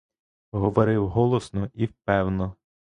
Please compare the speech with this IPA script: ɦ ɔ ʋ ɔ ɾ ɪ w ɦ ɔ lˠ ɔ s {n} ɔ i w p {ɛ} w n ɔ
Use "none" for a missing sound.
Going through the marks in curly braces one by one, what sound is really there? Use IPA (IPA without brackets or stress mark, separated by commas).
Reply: n, ɛ